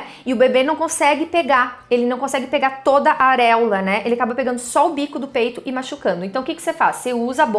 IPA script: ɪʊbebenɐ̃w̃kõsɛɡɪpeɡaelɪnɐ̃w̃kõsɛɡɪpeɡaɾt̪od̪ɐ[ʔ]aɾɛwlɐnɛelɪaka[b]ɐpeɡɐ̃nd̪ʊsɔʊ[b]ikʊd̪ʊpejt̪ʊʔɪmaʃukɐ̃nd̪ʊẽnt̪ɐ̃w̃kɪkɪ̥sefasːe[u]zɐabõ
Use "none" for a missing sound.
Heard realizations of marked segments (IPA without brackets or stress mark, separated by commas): ʔ, b, b, u